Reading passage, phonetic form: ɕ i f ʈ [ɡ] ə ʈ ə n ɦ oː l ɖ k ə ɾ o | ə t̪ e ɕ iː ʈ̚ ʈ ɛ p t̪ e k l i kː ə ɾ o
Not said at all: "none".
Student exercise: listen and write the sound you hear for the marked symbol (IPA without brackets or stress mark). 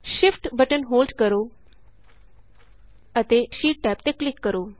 b